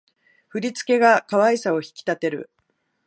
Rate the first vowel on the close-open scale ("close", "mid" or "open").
close